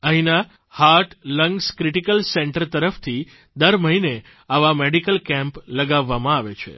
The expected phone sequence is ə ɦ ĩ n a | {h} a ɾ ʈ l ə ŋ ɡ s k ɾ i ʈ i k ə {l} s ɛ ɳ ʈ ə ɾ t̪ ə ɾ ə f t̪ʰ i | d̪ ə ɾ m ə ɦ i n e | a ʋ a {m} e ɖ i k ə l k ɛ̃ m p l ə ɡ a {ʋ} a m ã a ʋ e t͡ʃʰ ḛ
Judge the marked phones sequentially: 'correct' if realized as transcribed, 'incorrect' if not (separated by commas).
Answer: correct, correct, correct, incorrect